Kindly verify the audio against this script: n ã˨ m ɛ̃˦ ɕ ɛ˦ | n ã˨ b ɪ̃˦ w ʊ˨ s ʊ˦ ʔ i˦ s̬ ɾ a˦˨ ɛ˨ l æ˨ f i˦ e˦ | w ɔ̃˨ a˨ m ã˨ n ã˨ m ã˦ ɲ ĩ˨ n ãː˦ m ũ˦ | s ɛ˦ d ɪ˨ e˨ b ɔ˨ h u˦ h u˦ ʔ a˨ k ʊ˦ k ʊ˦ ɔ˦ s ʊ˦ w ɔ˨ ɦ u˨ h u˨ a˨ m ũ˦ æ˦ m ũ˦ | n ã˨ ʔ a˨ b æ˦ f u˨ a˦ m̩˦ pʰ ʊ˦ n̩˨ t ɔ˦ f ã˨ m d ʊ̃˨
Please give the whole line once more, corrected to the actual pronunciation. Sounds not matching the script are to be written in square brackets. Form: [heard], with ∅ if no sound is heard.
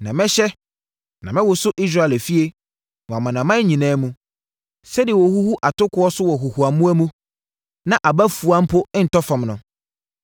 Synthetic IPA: n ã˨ m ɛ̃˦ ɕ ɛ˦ | n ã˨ [m] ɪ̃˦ w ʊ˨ s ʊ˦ ʔ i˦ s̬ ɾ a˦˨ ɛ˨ l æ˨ f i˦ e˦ | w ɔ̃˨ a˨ m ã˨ n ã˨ m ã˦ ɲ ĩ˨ n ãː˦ m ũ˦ | s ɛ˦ d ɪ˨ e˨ [w] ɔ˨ h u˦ h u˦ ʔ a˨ [t] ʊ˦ k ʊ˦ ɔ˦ s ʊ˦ w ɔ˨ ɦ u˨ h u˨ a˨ m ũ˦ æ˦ m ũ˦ | n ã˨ ʔ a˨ b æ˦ f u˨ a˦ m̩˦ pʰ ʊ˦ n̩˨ t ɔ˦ f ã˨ m [n] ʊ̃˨